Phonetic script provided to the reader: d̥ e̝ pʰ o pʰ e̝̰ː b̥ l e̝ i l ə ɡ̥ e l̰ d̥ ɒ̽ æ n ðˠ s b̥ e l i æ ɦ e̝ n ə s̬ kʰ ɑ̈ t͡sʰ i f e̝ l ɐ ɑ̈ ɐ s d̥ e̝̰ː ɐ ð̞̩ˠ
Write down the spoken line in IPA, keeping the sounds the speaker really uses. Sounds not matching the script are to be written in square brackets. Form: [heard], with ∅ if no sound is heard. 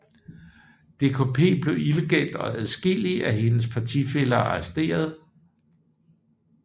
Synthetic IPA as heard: d̥ e̝ [kʰ] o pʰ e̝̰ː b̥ l e̝ i l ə ɡ̥ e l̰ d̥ ɒ̽ æ [∅] ðˠ s [ɡ̥] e l i æ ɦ e̝ n ə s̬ [pʰ] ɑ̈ t͡sʰ i f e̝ l ɐ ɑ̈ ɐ s d̥ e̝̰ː ɐ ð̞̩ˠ

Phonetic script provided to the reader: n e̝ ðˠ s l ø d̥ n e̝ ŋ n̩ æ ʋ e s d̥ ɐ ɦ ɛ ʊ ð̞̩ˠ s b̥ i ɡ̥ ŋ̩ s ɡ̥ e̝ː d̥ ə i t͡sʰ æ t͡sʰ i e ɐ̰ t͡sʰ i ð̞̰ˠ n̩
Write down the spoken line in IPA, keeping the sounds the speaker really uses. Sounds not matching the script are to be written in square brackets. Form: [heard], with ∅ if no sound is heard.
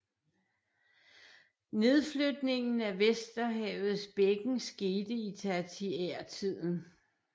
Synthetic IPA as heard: n e̝ ðˠ [f] l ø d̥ n e̝ ŋ n̩ æ ʋ e s d̥ ɐ ɦ ɛ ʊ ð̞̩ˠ s b̥ [e] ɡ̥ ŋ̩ s ɡ̥ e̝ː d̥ ə i t͡sʰ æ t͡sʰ i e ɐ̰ t͡sʰ i ð̞̰ˠ n̩

